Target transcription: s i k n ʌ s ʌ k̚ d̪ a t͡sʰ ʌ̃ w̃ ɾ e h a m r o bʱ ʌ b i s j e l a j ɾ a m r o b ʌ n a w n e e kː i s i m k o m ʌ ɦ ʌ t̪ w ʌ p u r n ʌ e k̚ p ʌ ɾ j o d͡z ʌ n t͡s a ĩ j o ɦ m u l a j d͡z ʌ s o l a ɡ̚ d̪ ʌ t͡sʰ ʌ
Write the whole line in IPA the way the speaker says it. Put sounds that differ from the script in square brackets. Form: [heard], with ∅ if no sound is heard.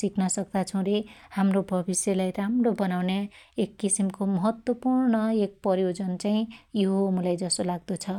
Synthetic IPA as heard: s i k n ʌ s ʌ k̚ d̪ a t͡sʰ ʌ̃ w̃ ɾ e h a m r o bʱ ʌ b i s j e l a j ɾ a m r o b ʌ n a w n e e kː i s i m k o m ʌ ɦ ʌ t̪ w ʌ p u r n ʌ e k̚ p ʌ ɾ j o d͡z ʌ n t͡s a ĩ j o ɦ m u l a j d͡z ʌ s o l a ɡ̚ d̪ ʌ t͡sʰ ʌ